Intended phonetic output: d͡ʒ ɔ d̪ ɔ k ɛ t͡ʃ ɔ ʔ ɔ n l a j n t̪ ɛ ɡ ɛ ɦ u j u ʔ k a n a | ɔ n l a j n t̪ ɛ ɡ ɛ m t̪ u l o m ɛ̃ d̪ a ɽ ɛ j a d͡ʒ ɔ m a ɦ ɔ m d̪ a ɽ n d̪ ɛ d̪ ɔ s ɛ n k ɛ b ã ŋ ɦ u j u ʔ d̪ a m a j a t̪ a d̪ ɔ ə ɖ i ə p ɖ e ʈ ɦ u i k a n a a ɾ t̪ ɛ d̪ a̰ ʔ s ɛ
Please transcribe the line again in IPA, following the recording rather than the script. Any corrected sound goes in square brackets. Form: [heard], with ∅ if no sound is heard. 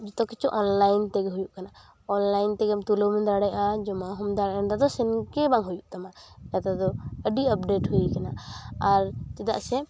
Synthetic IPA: d͡ʒ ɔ [t̪] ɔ k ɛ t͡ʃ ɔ ʔ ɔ n l a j n t̪ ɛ ɡ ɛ ɦ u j u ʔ k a n a | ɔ n l a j n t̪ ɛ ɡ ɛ m t̪ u l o m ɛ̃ d̪ a ɽ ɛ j a d͡ʒ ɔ m a ɦ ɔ m d̪ a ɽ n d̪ [a] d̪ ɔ s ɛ n k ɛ b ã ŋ ɦ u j u ʔ [t̪] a m a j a t̪ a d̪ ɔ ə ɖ i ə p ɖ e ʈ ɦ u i k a n a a ɾ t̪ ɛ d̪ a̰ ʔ s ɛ